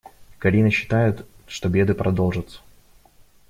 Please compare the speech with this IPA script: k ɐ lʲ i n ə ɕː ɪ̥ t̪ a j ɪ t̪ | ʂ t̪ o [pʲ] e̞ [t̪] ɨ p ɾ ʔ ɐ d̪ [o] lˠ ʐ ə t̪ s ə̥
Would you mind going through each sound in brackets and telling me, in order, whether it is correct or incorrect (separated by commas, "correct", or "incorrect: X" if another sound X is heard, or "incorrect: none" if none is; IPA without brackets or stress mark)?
incorrect: bʲ, incorrect: d̪, correct